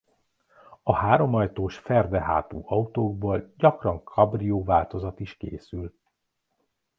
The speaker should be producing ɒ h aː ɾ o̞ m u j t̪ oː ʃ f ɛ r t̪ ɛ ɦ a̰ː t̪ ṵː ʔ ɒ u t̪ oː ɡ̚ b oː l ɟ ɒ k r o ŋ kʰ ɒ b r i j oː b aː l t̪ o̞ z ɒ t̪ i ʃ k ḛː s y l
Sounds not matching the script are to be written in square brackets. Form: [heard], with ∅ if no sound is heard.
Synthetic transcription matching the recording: ɒ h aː ɾ o̞ m [ɒ] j t̪ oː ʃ f ɛ r [d̪] ɛ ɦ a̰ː t̪ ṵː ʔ ɒ u t̪ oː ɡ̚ b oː l ɟ ɒ k r [ɒ] ŋ kʰ ɒ b r i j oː [v] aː l t̪ o̞ z ɒ t̪ i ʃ k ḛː s y l